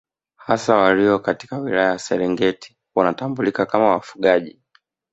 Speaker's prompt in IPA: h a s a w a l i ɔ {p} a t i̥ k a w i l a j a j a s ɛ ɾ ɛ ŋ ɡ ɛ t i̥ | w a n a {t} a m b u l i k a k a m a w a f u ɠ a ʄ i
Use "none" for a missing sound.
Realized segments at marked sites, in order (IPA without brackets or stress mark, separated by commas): k, t